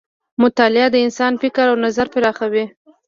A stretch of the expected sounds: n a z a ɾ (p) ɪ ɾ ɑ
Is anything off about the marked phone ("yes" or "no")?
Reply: no